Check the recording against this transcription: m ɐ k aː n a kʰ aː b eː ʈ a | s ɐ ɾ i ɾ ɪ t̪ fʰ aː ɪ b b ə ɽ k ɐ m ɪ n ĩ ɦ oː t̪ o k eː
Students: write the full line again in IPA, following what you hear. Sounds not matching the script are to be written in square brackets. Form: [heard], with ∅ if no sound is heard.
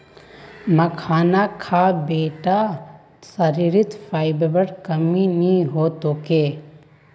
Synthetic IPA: m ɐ [kʰ] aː n a kʰ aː b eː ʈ a | s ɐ ɾ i ɾ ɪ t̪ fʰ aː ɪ b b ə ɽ k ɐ m [i] n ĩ ɦ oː t̪ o k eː